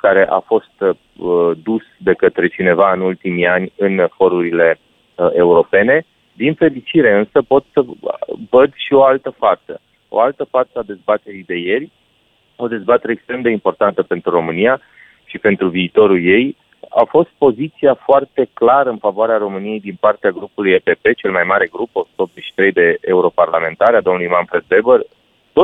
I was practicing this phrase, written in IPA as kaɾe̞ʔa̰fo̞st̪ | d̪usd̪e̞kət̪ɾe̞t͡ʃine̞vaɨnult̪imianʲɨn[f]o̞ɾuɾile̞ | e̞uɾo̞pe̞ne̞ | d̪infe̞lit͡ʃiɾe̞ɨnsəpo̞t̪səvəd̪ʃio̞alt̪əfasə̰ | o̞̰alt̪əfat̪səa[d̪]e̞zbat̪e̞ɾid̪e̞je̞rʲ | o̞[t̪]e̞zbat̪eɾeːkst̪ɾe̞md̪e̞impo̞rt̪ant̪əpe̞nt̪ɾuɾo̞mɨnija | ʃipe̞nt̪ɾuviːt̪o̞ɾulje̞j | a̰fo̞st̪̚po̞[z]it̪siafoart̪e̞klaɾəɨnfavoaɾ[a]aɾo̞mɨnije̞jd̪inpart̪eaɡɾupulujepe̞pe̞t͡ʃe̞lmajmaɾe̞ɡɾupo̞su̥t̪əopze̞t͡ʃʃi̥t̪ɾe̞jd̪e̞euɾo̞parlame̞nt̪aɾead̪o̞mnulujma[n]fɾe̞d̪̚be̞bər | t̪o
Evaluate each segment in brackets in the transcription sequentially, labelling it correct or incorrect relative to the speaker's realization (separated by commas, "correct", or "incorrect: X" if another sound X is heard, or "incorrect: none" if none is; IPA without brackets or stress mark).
correct, correct, incorrect: d̪, correct, incorrect: e, correct